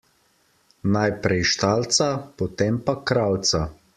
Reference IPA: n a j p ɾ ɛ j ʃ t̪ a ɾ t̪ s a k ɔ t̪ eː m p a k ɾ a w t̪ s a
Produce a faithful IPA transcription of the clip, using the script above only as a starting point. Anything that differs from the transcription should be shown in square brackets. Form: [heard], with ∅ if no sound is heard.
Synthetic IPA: n a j p ɾ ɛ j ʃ t̪ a [l] t̪ s a [p] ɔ t̪ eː m p a k ɾ a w t̪ s a